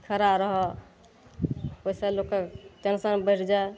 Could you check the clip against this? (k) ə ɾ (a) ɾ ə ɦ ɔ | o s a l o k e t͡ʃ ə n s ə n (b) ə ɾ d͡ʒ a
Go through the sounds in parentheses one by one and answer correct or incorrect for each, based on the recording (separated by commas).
incorrect, correct, correct